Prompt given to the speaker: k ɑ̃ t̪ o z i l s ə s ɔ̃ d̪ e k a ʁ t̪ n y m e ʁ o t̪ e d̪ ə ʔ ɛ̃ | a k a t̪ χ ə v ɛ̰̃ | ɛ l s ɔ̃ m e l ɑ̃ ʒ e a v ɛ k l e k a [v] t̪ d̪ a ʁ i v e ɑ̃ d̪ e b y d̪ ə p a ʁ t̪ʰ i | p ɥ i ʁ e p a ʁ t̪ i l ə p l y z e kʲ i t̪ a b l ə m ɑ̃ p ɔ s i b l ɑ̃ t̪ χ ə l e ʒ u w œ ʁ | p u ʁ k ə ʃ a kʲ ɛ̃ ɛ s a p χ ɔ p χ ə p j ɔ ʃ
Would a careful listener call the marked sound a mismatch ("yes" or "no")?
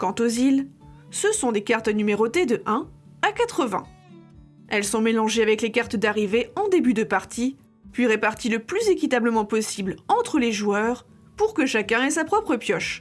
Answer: yes